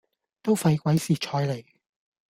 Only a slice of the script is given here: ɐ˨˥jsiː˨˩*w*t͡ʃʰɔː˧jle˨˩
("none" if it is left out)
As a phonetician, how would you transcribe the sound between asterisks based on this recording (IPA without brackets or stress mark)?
none